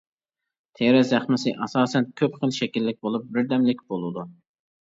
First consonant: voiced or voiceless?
voiceless